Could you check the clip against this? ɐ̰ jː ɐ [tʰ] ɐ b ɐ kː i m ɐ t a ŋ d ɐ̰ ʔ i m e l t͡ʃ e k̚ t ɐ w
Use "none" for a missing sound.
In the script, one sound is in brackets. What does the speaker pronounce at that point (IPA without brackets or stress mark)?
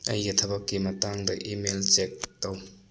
tʰ